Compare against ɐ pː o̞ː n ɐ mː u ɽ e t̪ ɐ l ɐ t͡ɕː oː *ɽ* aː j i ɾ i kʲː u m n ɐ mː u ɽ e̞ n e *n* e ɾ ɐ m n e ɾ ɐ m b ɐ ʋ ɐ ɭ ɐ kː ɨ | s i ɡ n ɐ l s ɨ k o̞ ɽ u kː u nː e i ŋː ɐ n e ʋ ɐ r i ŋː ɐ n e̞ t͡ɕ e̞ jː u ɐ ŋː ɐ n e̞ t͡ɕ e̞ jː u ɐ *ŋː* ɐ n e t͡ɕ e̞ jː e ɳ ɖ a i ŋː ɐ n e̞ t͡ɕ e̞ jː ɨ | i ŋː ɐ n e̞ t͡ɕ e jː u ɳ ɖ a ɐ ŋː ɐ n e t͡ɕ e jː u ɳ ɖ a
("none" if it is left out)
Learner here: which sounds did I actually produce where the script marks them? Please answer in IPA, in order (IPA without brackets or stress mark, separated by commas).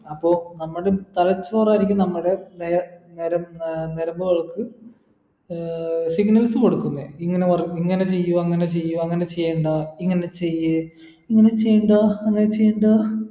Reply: r, n, ŋː